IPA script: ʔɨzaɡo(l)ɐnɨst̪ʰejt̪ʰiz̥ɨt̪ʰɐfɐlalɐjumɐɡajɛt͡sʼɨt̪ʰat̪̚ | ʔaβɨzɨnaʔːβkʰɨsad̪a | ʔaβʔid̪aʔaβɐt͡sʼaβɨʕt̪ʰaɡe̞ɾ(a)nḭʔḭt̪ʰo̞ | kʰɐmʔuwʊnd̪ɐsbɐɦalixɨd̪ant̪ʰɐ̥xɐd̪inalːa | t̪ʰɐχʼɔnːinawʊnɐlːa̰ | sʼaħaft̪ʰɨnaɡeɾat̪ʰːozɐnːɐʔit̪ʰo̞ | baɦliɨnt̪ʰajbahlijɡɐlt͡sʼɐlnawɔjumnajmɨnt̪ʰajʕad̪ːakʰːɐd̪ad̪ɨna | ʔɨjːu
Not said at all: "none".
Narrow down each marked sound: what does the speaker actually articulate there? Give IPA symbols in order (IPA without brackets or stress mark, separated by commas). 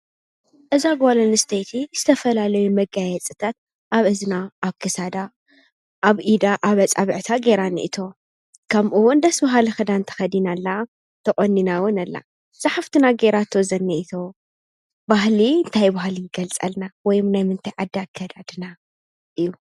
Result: l, a